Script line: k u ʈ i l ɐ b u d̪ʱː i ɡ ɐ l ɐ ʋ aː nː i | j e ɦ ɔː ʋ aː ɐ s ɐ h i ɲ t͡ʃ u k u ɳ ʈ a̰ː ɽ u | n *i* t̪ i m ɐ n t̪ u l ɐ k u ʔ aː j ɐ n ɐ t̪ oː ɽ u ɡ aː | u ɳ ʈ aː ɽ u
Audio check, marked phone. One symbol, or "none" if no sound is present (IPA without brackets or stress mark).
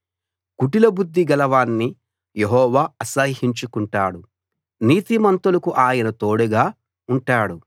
iː